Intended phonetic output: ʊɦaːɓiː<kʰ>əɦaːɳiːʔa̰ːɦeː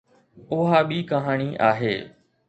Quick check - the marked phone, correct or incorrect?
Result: incorrect